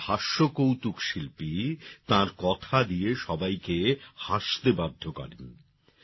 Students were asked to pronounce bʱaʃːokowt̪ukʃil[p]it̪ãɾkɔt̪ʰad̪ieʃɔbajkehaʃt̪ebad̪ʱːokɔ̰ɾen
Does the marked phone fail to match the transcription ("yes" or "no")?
no